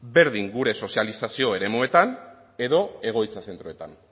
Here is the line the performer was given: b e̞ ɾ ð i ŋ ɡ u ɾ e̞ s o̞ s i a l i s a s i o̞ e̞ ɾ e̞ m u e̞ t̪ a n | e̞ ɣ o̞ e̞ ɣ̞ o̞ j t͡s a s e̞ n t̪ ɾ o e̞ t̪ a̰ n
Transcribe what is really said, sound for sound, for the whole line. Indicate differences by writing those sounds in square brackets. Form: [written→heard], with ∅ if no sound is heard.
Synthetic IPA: b e̞ ɾ ð i ŋ ɡ u ɾ e̞ s o̞ s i a l i s a s i o̞ e̞ ɾ e̞ m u e̞ t̪ a n | e̞ [ɣ→ð] o̞ e̞ ɣ̞ o̞ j t͡s a s e̞ n t̪ ɾ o e̞ t̪ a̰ n